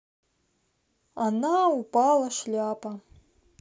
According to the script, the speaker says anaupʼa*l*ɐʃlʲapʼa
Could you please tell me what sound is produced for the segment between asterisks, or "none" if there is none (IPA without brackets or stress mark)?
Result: l